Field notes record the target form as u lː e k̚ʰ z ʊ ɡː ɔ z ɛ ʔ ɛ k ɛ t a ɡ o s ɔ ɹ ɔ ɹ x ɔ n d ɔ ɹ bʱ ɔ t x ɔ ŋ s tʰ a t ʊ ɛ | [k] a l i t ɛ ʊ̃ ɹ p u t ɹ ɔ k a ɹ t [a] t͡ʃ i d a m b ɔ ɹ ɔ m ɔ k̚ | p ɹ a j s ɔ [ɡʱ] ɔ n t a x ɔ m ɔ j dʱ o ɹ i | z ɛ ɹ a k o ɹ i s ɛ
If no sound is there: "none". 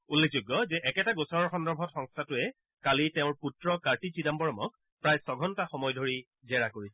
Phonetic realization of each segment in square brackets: k, i, ɡʱ

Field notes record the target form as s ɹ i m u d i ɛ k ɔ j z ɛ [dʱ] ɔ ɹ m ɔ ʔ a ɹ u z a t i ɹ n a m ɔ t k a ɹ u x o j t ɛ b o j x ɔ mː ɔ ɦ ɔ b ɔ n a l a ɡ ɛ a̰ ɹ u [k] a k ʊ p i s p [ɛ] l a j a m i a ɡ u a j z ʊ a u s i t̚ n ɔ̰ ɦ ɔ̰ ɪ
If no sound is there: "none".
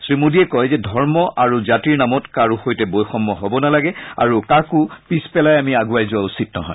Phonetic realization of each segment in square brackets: dʱ, k, ɛ

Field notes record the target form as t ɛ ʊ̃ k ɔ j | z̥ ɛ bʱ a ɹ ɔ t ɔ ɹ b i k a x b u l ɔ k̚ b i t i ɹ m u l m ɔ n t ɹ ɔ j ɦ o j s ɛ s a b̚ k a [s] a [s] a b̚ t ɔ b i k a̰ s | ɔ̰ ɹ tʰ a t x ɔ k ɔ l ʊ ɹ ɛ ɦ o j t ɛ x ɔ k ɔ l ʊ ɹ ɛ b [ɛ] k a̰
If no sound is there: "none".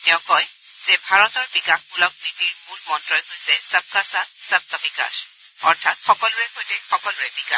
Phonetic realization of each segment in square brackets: s, s, i

